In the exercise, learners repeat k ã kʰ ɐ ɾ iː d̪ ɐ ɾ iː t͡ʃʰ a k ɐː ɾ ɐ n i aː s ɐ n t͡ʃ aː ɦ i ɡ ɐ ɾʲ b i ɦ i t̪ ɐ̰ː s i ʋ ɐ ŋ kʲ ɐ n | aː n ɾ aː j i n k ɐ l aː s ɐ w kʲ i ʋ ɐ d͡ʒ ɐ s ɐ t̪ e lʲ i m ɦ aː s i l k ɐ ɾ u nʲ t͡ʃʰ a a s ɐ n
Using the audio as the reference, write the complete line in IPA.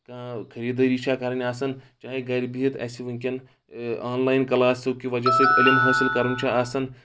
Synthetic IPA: k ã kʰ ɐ ɾ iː d̪ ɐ ɾ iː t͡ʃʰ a k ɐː ɾ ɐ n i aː s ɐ n t͡ʃ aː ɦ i ɡ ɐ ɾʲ b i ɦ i t̪ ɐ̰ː s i ʋ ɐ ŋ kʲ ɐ n | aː n l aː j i n k ɐ l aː s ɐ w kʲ i ʋ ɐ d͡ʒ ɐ s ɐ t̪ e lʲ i m ɦ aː s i l k ɐ ɾ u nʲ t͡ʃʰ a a s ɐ n